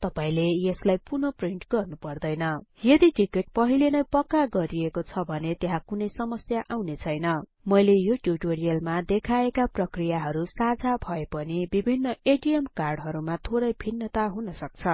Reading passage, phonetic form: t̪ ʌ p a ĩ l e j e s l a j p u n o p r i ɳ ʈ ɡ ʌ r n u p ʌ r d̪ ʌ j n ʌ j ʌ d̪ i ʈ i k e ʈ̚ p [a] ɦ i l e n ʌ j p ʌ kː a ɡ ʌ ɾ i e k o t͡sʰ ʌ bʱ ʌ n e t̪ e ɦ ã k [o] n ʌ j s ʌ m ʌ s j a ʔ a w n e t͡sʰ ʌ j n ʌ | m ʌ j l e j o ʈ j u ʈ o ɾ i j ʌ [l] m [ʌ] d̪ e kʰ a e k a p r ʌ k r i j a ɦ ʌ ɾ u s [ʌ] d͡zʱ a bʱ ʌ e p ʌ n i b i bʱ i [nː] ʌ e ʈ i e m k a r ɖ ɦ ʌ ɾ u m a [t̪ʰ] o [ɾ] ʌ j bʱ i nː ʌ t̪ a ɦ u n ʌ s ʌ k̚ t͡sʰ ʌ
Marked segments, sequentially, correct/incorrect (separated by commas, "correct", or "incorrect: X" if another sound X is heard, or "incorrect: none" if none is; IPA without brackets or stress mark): incorrect: ʌ, incorrect: u, correct, incorrect: a, incorrect: a, correct, correct, correct